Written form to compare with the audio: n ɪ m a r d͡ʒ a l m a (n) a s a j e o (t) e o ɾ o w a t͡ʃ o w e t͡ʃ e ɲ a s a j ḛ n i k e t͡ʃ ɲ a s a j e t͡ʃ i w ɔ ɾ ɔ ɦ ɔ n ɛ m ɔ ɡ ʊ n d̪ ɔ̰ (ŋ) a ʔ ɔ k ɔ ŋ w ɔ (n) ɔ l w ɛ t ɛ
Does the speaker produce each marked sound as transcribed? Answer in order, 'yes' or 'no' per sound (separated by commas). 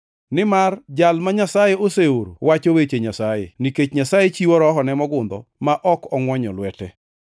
no, no, no, no